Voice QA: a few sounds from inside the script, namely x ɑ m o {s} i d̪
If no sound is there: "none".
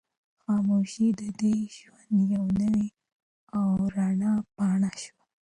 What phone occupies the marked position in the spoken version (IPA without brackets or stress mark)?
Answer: ʃ